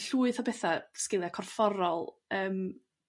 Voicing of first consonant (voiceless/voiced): voiceless